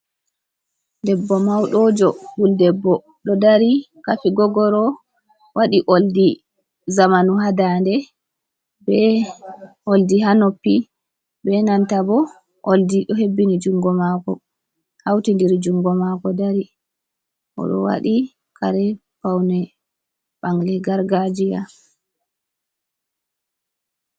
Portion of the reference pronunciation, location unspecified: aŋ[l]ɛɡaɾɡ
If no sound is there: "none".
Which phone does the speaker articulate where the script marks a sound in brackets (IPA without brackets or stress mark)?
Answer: l